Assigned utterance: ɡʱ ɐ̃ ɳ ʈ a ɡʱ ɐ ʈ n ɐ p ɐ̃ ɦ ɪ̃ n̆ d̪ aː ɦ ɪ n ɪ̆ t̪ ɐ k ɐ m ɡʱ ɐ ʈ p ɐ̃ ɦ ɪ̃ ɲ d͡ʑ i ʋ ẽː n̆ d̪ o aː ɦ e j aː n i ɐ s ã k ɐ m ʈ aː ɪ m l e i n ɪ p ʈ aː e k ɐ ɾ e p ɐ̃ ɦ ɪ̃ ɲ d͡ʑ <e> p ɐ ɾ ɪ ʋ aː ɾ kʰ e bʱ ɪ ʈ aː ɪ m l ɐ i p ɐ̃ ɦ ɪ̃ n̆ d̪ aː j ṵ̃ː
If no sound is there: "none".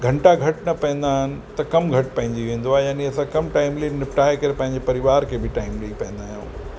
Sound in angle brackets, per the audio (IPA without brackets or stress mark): e